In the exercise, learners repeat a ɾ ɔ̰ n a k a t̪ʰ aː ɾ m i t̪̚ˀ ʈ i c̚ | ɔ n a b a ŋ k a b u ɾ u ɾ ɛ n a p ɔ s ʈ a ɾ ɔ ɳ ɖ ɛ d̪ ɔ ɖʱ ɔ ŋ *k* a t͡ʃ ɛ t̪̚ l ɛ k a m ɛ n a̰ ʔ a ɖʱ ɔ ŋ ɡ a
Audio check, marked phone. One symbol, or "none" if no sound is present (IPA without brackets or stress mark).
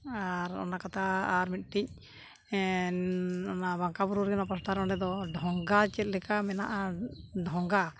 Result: ɡ